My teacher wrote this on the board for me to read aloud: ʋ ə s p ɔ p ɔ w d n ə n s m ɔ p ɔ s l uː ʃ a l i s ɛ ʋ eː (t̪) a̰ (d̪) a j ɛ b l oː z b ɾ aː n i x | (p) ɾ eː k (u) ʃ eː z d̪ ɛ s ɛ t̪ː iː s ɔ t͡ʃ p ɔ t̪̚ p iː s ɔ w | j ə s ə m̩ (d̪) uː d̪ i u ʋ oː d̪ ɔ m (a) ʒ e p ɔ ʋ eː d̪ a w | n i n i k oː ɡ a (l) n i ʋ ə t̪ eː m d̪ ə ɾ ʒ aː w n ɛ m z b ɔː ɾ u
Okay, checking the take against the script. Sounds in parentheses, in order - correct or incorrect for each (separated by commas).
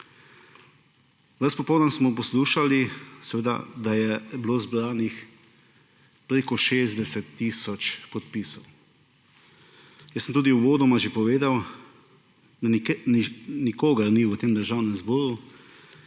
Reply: incorrect, correct, correct, incorrect, incorrect, correct, incorrect